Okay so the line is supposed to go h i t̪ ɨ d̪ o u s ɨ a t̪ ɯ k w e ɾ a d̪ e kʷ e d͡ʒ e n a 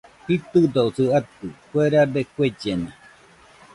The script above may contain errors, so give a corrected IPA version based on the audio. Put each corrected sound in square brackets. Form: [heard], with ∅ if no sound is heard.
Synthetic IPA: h i t̪ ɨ d̪ o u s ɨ a t̪ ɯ k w e ɾ a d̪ e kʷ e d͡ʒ e n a